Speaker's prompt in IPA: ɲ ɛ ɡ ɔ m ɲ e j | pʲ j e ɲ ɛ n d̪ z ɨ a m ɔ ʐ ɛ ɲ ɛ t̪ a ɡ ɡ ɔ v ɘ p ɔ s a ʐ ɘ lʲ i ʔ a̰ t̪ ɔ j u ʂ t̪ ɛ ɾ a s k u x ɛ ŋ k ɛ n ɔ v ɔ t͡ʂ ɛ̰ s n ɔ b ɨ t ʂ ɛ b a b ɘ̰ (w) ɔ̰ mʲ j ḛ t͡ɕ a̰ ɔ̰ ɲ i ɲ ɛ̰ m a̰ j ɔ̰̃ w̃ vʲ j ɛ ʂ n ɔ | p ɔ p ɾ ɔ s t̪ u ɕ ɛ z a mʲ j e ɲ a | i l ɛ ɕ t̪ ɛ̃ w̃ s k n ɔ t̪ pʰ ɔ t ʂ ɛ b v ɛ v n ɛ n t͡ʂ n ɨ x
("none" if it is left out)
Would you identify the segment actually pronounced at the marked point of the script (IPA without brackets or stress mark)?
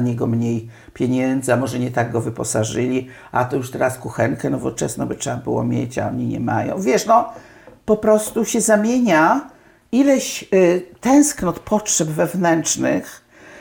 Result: w